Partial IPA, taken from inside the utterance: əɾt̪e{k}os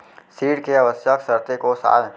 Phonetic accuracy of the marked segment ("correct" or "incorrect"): correct